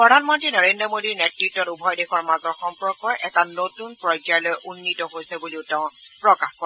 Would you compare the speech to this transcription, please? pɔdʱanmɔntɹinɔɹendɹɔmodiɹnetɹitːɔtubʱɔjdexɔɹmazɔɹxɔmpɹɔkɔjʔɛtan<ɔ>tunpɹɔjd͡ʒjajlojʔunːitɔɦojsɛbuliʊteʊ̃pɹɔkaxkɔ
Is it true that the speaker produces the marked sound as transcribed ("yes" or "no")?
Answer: no